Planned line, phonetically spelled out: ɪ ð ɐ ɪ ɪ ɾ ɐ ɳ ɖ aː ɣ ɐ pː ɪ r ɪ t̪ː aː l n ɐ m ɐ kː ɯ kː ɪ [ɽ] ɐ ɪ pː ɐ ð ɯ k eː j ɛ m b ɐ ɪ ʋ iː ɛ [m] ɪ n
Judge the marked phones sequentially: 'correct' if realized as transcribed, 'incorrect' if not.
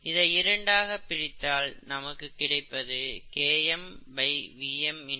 correct, correct

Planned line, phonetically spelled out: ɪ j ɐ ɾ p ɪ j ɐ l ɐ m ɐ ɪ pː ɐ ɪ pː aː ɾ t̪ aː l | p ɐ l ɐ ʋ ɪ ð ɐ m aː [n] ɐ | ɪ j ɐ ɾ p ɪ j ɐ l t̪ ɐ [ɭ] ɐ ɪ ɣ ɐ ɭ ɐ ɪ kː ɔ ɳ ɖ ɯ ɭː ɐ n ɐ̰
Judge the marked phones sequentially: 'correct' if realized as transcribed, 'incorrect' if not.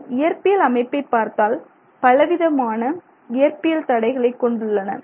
correct, incorrect

